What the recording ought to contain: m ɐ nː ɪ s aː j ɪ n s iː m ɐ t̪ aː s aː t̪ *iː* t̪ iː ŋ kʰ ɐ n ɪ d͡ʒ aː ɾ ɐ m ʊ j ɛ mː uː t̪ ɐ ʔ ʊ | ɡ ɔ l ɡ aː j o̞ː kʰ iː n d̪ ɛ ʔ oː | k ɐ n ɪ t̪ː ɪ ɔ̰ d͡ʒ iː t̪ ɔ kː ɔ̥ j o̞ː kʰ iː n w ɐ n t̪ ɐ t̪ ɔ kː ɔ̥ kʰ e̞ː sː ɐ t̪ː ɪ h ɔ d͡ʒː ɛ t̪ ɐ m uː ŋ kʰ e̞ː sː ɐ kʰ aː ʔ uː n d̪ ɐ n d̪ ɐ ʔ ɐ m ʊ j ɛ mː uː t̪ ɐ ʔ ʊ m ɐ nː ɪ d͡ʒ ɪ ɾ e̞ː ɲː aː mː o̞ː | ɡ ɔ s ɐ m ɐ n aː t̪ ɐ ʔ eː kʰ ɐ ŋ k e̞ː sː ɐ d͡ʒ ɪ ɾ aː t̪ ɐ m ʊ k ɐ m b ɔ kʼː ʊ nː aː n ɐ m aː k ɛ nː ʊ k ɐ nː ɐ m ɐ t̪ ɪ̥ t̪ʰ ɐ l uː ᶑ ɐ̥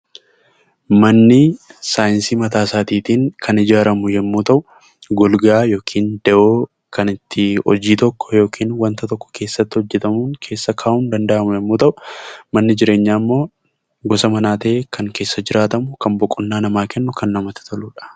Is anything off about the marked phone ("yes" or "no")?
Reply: no